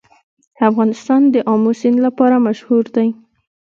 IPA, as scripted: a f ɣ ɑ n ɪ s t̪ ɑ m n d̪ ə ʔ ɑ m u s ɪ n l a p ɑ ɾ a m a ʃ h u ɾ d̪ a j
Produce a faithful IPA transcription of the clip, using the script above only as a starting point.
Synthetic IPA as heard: a f ɣ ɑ n ɪ s t̪ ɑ n d̪ ə ʔ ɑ m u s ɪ n l a p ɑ ɾ a m a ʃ h u ɾ d̪ a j

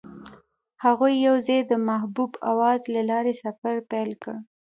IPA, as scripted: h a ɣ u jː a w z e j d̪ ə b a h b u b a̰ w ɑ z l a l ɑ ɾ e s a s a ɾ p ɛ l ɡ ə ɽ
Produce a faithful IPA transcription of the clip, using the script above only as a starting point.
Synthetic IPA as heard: h a ɣ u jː a w z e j d̪ ə m a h b u b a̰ w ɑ z l a l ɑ ɾ e s a f a ɾ p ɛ l k ə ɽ

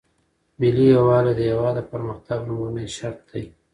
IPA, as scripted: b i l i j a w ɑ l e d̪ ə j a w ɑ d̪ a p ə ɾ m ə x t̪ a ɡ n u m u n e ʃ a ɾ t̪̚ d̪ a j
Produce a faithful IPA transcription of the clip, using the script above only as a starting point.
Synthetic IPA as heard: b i l i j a w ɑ l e d̪ ə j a w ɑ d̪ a p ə ɾ m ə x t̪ a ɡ n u m u n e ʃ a ɾ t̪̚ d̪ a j

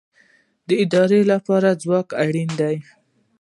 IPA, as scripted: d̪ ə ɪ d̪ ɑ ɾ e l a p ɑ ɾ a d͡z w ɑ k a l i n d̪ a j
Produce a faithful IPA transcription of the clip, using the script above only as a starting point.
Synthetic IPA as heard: d̪ ə ɪ d̪ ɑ ɾ e l a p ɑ ɾ a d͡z w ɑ k a ɽ i n d̪ a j

